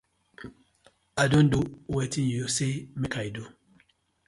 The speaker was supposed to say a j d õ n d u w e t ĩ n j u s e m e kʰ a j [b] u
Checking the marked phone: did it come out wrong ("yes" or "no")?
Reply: yes